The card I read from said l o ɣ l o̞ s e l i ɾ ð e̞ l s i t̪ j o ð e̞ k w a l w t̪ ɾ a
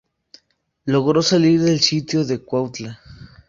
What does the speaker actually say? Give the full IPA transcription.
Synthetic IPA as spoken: l o ɣ ɾ o̞ s a l i ɾ ð e̞ l s i t̪ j o ð e̞ k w a w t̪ l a